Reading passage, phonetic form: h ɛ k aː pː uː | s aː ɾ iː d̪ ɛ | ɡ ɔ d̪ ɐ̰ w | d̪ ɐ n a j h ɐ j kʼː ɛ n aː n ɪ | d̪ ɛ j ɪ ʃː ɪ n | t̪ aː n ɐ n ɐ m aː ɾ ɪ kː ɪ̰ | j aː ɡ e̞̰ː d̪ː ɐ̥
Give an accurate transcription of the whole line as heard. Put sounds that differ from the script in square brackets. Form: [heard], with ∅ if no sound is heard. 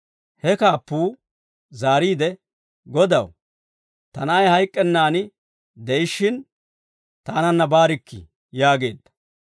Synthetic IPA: h ɛ k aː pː uː | [z] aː ɾ iː d̪ ɛ | ɡ ɔ d̪ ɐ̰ w | [t̪] ɐ n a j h ɐ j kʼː ɛ [nː] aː n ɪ | d̪ ɛ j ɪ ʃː ɪ n | t̪ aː n ɐ [nː] ɐ [b] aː ɾ ɪ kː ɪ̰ | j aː ɡ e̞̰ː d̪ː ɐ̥